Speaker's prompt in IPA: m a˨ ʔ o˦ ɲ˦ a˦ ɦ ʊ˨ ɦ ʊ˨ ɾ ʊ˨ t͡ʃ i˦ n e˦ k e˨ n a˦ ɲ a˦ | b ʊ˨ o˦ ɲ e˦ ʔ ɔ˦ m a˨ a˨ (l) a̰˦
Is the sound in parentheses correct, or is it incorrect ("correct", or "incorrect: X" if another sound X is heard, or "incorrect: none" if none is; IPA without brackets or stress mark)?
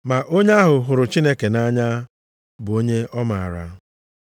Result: incorrect: ɾ